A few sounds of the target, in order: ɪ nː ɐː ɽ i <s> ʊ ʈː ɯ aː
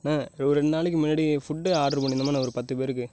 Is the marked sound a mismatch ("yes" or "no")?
yes